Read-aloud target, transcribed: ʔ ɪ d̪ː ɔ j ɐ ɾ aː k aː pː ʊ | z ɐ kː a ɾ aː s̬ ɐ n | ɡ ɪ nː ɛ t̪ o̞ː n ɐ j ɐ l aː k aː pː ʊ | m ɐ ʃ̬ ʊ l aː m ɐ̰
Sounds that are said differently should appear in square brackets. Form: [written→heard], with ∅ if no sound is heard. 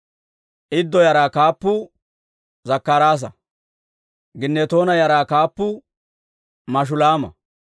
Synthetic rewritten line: ʔ ɪ d̪ː ɔ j ɐ ɾ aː k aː pː ʊ | z ɐ kː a ɾ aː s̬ ɐ [n→∅] | ɡ ɪ nː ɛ t̪ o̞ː n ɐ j ɐ [l→ɾ] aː k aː pː ʊ | m ɐ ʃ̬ ʊ l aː m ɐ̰

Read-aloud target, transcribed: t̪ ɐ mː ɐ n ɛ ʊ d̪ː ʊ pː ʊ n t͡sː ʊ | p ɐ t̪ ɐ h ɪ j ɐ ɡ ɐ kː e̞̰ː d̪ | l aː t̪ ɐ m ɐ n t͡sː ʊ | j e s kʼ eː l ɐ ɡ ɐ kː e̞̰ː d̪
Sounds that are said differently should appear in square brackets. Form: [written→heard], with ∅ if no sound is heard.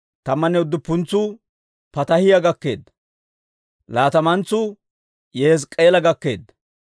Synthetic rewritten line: t̪ ɐ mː ɐ n ɛ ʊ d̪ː ʊ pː ʊ n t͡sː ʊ | p ɐ t̪ ɐ h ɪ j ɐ ɡ ɐ kː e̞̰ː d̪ | l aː t̪ ɐ m ɐ n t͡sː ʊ | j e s kʼ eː l ɐ ɡ ɐ kː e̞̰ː d̪

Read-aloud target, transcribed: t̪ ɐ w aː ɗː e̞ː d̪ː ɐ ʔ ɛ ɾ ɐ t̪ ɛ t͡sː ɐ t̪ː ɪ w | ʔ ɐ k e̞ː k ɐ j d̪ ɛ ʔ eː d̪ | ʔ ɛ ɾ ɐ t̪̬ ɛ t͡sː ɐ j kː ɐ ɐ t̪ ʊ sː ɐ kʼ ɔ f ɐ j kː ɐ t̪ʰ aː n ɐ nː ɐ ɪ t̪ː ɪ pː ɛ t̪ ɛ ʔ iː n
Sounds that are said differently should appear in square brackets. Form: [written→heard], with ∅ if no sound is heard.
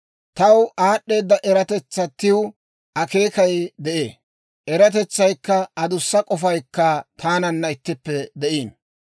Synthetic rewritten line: t̪ ɐ w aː ɗː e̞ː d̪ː ɐ ʔ ɛ ɾ ɐ t̪ ɛ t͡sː ɐ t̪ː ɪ w | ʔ ɐ k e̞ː k ɐ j d̪ ɛ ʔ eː [d̪→∅] | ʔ ɛ ɾ ɐ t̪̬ ɛ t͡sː ɐ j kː ɐ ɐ [t̪→d̪] ʊ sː ɐ kʼ ɔ f ɐ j kː ɐ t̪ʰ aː n ɐ nː ɐ ɪ t̪ː ɪ pː ɛ [t̪→d̪] ɛ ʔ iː n

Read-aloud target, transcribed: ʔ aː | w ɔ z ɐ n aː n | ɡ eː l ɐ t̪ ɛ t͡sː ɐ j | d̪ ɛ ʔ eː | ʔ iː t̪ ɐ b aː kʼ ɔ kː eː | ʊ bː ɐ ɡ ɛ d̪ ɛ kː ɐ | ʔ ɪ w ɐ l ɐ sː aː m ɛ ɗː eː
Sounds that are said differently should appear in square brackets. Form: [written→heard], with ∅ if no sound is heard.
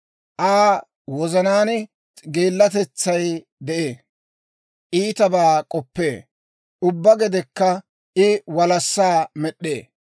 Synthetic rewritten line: ʔ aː | w ɔ z ɐ n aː n | ɡ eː [l→lː] ɐ t̪ ɛ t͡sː ɐ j | d̪ ɛ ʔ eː | ʔ iː t̪ ɐ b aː kʼ ɔ [kː→pː] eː | ʊ bː ɐ ɡ ɛ d̪ ɛ kː ɐ | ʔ ɪ w ɐ l ɐ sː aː m ɛ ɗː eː

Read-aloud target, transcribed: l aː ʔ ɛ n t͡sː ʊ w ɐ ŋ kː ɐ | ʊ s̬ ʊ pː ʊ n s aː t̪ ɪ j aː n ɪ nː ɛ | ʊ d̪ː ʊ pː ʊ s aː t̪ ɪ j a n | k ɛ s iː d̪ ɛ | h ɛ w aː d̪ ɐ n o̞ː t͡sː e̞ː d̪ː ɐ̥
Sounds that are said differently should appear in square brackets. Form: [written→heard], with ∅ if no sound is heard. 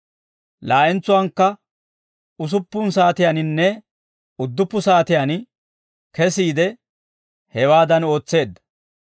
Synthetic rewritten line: l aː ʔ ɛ n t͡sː ʊ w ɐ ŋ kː ɐ | ʊ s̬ ʊ pː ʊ n s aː t̪ ɪ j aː n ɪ nː ɛ | ʊ d̪ː ʊ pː ʊ s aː t̪ ɪ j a n | k ɛ s iː d̪ ɛ | h ɛ w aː d̪ ɐ n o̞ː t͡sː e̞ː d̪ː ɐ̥

